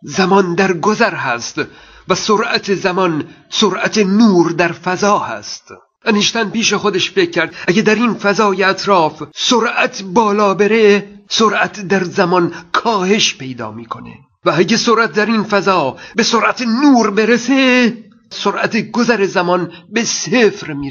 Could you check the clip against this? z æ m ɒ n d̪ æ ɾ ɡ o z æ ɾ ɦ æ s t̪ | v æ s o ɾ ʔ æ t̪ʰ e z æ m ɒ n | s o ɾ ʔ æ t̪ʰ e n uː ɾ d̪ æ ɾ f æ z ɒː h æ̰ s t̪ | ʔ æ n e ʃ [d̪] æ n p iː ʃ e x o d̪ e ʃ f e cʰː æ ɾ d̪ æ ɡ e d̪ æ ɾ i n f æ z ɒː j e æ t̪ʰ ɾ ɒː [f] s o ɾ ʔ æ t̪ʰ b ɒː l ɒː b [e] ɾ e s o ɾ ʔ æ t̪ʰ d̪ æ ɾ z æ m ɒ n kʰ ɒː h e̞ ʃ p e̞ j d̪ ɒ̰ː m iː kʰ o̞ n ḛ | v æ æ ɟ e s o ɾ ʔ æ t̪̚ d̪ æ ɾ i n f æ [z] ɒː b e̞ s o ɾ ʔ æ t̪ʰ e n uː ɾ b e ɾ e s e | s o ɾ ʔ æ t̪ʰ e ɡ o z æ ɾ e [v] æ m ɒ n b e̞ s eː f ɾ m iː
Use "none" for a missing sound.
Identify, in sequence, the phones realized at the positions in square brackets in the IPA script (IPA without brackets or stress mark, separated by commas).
t̪, f, e, z, z